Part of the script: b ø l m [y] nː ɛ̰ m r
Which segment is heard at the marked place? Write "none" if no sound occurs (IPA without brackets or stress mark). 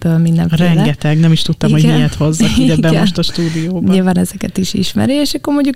i